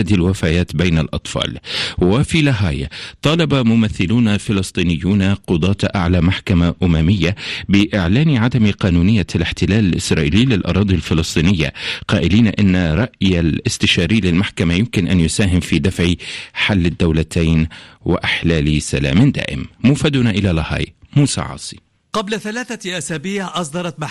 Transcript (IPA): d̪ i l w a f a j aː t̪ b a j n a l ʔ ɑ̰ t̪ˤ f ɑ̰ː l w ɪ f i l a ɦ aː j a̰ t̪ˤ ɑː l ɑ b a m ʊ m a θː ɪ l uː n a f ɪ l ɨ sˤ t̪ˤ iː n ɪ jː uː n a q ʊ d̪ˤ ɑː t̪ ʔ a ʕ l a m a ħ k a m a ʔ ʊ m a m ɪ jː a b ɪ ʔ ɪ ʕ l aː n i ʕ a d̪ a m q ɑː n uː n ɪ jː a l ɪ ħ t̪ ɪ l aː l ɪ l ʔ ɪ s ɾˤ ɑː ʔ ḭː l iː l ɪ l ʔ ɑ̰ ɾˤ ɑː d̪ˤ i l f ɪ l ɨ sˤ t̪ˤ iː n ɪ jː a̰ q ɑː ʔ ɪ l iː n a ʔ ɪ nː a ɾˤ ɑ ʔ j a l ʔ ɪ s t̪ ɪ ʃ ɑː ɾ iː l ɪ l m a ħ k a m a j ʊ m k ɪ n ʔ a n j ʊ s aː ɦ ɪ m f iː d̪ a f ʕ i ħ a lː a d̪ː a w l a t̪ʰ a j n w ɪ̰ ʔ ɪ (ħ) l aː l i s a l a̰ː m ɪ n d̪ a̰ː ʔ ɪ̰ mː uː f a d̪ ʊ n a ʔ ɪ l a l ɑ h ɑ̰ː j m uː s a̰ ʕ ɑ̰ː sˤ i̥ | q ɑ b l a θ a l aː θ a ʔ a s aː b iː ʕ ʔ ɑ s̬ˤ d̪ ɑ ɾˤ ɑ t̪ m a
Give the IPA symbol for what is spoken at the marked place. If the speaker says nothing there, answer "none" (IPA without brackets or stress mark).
ħ